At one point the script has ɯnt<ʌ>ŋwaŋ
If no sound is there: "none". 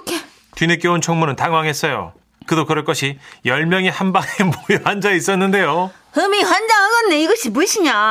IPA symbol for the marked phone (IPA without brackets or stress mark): a